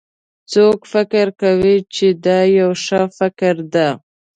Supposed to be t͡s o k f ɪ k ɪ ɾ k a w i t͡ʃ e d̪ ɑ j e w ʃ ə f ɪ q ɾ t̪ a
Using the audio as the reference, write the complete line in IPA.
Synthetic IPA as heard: t͡s o k f ɪ k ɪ ɾ k a w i t͡ʃ e d̪ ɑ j a w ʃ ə f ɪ k ɾ d̪ a